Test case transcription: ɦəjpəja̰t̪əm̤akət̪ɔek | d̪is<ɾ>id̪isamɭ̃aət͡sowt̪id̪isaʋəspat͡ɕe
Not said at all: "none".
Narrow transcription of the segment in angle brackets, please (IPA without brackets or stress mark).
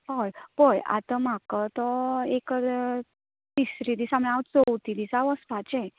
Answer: ɾ